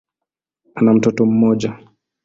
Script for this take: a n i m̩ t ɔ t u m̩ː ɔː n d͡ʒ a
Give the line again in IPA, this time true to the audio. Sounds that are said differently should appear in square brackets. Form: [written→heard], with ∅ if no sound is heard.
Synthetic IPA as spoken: a n [i→a] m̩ t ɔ t [u→ɔ] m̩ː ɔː [n→∅] d͡ʒ a